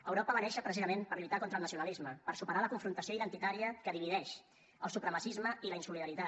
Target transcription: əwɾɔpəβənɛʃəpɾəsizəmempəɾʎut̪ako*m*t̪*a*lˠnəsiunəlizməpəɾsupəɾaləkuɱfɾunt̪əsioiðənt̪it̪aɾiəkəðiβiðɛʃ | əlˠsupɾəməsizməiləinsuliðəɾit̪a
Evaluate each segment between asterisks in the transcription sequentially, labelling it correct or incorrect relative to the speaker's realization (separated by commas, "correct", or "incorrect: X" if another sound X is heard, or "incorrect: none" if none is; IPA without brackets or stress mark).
incorrect: n, incorrect: ə